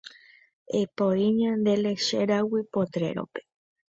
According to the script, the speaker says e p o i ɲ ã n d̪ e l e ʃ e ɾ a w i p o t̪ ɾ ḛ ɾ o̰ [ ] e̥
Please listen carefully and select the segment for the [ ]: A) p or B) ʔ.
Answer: A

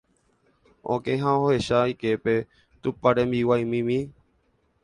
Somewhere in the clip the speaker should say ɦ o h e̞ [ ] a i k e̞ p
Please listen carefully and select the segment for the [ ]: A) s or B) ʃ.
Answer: B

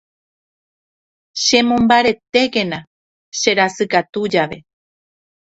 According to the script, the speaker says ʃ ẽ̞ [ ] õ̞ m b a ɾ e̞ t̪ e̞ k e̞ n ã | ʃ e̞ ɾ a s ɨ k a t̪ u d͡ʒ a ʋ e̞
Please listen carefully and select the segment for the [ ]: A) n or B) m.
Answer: B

